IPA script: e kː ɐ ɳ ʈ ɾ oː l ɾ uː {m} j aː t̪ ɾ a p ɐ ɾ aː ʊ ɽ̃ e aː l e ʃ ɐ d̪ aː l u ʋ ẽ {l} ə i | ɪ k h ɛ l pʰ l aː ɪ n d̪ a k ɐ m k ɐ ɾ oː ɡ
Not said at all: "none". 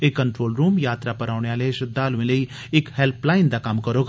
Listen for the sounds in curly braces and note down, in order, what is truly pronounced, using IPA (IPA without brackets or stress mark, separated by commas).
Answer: m, l